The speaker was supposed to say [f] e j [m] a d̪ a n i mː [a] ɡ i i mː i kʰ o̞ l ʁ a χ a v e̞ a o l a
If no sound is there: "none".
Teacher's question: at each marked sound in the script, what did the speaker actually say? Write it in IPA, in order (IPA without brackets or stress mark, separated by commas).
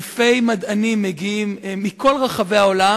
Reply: f, m, e